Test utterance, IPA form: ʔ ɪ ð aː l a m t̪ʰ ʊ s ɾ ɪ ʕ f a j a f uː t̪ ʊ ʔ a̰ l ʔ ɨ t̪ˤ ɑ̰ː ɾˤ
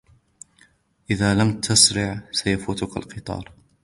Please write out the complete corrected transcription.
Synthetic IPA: ʔ ɪ ð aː l a m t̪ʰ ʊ s ɾ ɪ ʕ s a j a f uː t̪ ʊ k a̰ l q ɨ t̪ˤ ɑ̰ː ɾˤ